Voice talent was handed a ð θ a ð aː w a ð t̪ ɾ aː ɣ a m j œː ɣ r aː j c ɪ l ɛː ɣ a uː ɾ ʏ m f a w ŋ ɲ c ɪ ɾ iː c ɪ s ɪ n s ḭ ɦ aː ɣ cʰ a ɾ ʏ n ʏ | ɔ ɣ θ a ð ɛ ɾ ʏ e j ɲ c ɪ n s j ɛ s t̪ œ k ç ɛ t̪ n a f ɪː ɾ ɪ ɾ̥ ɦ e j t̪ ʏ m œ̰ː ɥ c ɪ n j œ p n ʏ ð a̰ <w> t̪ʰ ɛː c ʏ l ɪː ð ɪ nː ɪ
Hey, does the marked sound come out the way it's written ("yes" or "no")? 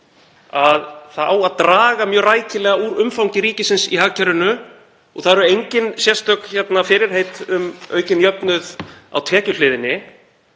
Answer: yes